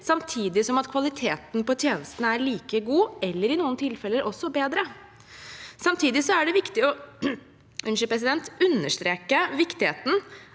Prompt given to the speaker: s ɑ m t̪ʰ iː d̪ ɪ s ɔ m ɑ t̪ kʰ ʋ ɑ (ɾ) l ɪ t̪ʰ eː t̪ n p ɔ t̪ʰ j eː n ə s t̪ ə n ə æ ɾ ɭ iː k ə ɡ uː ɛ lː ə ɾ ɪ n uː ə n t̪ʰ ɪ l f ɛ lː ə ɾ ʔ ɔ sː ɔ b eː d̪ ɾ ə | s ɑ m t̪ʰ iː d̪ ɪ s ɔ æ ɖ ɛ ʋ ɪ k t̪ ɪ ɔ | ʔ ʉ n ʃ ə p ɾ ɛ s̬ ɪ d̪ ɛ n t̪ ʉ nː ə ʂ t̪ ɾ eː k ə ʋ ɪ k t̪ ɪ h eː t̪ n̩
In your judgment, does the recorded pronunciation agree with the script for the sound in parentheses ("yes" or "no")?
no